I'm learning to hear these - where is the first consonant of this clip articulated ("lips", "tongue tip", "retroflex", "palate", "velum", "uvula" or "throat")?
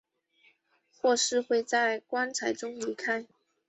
velum